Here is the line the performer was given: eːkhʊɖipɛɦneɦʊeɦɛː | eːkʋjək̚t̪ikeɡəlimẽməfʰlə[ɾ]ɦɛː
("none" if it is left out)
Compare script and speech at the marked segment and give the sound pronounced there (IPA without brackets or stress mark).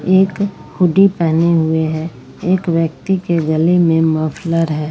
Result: ɾ